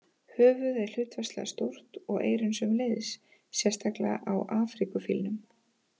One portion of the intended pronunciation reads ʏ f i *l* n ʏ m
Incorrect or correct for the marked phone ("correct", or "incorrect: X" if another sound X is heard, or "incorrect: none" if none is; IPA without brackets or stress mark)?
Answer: correct